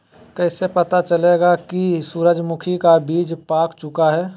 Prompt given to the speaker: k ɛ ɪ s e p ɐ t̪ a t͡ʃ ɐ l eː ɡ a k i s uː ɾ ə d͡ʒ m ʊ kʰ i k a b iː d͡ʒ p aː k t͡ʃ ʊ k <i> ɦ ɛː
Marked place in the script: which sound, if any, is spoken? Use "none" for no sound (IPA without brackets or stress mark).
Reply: a